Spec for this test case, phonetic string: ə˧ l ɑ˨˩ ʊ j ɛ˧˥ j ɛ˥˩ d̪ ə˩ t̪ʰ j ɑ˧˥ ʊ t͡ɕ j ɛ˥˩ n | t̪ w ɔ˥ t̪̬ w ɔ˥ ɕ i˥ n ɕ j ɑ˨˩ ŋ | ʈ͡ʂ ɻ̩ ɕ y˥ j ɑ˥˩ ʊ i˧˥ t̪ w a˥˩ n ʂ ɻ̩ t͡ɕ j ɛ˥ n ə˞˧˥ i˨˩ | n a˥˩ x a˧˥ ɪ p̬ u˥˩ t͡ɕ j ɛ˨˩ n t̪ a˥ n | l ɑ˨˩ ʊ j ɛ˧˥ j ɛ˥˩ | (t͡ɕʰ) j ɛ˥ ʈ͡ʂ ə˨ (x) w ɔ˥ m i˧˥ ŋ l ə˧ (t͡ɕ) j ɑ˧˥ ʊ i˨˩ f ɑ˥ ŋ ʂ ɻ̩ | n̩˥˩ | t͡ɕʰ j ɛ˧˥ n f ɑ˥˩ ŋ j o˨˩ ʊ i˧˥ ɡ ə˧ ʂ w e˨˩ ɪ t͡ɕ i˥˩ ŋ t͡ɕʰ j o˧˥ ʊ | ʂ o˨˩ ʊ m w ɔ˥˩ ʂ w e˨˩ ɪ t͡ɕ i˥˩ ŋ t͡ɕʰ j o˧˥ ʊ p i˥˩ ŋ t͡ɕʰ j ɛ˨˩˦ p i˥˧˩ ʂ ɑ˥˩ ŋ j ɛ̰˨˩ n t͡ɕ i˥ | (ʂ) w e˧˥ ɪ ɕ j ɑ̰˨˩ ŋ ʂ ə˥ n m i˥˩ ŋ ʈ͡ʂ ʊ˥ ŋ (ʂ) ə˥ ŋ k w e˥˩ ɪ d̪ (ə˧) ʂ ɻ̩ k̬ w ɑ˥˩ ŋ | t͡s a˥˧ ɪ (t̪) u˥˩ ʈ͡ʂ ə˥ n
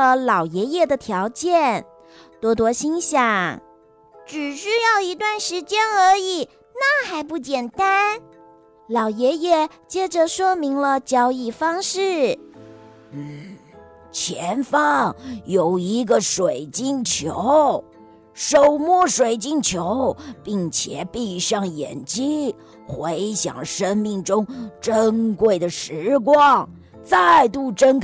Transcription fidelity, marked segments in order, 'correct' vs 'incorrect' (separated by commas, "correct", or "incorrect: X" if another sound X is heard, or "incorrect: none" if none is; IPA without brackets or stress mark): incorrect: t͡ɕ, incorrect: ʂ, correct, incorrect: x, incorrect: ʈ͡ʂ, incorrect: ə˩, correct